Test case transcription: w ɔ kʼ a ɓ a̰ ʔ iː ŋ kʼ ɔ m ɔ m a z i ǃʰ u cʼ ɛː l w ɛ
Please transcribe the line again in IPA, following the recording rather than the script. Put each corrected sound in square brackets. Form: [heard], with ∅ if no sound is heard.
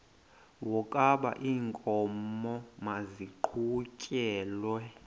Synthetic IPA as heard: w ɔ kʼ a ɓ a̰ ʔ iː ŋ kʼ ɔ m ɔ m a z i ǃʰ u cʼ ɛː l w ɛ